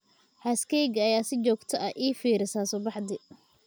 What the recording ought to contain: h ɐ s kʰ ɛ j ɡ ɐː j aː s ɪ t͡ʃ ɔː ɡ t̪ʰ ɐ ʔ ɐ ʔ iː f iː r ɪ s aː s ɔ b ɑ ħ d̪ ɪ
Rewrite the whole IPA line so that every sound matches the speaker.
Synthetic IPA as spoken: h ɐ s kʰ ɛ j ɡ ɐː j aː s ɪ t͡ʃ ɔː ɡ t̪ʰ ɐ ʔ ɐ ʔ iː f iː ɾ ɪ s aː s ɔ b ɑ ħ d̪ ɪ